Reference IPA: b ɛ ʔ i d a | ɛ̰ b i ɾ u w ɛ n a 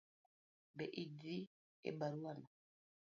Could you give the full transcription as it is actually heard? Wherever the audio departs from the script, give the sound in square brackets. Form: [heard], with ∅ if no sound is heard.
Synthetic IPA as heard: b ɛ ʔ i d [i] | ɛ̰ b [a] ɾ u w [a] n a